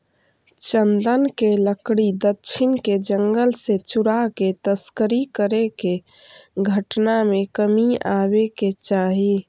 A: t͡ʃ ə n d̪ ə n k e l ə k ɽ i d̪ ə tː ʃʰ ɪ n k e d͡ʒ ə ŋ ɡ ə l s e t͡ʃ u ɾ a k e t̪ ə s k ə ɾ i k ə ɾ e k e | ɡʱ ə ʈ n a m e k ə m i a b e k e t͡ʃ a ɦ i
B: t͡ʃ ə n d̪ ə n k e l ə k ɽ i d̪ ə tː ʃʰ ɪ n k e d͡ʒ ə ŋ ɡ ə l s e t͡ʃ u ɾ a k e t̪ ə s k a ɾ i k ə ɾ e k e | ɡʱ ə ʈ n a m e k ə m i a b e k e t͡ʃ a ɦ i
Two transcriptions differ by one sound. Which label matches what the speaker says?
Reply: A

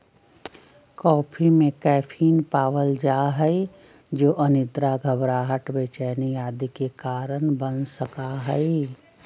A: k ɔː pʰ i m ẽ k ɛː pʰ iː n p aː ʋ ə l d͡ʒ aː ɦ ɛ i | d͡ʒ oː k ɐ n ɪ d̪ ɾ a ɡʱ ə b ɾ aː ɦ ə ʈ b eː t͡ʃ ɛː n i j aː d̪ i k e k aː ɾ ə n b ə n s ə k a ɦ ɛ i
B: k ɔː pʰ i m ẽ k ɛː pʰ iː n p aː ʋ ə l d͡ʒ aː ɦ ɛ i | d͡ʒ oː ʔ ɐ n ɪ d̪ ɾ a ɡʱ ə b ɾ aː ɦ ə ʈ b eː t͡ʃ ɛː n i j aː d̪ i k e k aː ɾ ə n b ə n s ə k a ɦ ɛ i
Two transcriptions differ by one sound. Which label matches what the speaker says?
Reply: B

